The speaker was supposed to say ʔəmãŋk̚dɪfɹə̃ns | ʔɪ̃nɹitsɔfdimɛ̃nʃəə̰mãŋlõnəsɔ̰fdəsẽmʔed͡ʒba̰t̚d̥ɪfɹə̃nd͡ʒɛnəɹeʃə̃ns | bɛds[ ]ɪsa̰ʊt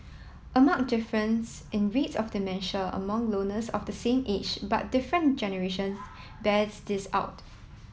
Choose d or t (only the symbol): d